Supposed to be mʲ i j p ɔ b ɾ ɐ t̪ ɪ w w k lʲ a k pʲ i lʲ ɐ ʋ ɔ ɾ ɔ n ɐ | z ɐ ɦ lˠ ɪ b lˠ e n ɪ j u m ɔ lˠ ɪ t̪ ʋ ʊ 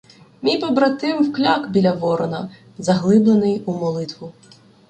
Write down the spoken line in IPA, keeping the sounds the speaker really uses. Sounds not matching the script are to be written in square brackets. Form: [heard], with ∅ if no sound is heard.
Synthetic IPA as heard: mʲ i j p ɔ b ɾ ɐ t̪ ɪ w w k lʲ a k [bʲ] i lʲ ɐ ʋ ɔ ɾ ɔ n ɐ | z ɐ ɦ lˠ ɪ b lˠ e n ɪ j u m ɔ lˠ ɪ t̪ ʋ ʊ